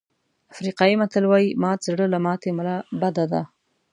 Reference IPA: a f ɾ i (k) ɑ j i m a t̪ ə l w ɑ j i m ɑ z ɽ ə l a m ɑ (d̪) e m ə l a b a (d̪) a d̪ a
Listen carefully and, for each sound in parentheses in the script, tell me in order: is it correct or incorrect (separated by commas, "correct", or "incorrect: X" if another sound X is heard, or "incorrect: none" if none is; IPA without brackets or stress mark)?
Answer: incorrect: q, incorrect: t̪, correct